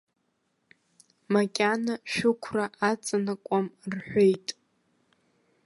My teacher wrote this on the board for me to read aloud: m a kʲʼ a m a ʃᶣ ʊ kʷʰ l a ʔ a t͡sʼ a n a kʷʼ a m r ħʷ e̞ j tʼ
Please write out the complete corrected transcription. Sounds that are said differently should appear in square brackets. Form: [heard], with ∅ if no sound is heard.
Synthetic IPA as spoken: m a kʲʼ a [n] a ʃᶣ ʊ kʷʰ [r] a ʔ a t͡sʼ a n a kʷʼ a m r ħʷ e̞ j tʼ